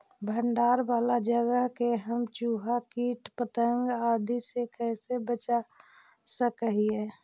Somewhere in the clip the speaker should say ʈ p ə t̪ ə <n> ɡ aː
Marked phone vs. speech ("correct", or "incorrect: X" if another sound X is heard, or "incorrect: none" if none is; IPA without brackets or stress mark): incorrect: ŋ